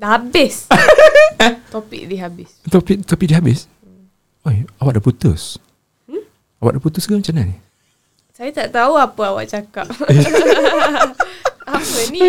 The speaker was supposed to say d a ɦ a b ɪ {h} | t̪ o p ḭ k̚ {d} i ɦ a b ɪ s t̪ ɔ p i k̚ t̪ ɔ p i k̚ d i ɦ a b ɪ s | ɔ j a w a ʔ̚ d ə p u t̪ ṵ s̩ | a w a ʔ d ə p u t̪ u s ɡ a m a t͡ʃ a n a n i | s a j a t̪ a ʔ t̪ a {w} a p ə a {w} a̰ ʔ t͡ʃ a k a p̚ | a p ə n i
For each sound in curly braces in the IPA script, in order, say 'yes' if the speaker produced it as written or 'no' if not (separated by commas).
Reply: no, yes, no, yes